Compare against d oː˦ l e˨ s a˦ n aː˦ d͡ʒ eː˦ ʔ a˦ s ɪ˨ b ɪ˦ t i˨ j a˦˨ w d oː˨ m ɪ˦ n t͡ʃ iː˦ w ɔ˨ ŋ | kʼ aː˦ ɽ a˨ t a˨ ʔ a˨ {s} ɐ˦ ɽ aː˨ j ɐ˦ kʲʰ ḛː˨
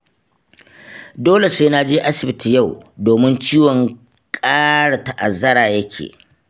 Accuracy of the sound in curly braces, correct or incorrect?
incorrect